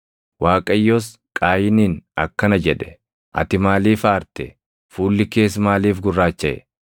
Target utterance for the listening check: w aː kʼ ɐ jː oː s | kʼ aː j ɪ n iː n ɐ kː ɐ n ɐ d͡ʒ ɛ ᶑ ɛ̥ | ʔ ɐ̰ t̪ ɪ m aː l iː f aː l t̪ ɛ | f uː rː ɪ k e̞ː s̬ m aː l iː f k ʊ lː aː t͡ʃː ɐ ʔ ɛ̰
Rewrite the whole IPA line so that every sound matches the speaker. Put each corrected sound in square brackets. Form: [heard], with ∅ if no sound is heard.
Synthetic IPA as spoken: w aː kʼ ɐ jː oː s | kʼ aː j ɪ n iː n ɐ kː ɐ n ɐ d͡ʒ ɛ ᶑ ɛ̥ | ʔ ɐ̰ t̪ ɪ m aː l iː f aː [ɾ] t̪ ɛ | f uː [lː] ɪ k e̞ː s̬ m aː l iː f [ɡ] ʊ [rː] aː t͡ʃː ɐ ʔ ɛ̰